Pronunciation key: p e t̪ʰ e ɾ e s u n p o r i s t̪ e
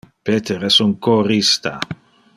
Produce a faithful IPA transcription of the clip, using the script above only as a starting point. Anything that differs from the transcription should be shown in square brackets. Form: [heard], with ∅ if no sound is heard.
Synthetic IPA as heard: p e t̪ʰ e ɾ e s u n [k] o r i s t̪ [a]